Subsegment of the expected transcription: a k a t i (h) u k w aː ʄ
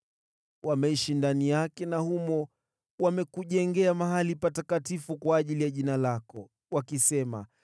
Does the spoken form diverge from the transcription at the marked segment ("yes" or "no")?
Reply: yes